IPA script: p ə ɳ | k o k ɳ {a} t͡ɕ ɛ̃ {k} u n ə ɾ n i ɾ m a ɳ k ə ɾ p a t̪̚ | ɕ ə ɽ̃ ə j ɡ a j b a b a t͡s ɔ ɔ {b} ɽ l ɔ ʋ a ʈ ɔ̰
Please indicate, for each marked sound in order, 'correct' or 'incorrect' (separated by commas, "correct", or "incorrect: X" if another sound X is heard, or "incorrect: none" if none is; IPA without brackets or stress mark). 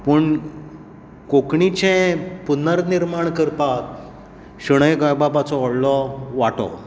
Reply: incorrect: i, incorrect: p, incorrect: none